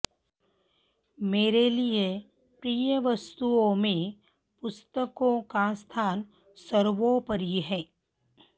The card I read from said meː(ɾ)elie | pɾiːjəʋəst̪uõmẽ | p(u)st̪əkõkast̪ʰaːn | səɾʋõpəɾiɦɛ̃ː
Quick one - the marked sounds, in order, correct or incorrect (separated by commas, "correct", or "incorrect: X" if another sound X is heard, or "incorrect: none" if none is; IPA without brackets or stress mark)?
correct, incorrect: ʊ